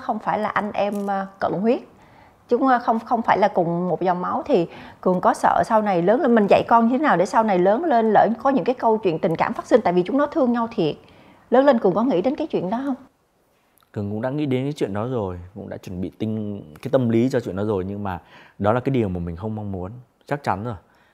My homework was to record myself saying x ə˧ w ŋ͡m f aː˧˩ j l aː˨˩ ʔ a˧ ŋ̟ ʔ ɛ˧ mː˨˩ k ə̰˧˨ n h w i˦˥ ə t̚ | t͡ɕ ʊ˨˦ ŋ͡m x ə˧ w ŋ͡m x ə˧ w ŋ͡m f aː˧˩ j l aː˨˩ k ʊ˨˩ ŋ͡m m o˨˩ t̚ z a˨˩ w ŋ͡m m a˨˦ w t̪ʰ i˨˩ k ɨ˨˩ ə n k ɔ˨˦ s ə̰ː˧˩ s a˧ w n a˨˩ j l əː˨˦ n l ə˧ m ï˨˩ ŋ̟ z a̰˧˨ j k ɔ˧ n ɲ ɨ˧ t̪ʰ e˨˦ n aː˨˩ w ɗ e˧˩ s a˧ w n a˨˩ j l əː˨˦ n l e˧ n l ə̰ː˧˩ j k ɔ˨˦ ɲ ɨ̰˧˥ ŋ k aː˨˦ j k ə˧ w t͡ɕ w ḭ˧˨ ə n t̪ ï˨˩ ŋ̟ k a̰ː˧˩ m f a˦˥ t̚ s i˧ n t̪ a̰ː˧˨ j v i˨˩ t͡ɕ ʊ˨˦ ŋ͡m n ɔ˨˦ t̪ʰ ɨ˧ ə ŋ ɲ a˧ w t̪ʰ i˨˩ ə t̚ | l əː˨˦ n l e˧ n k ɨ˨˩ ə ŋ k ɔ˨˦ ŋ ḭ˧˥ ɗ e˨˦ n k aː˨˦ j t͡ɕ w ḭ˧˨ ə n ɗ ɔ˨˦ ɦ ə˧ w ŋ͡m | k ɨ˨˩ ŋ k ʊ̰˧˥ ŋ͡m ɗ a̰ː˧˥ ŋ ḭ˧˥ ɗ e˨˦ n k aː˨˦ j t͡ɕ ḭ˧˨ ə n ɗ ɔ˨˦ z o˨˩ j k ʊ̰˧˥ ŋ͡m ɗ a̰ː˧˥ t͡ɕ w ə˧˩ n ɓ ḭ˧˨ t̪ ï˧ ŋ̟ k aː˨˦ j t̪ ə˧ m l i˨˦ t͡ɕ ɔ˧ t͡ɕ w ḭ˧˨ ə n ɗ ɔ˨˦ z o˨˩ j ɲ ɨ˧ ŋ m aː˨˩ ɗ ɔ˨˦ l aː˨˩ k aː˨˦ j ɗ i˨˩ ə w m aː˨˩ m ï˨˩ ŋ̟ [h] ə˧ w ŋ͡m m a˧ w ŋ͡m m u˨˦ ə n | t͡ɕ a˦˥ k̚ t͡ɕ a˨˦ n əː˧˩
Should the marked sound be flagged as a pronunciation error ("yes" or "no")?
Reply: yes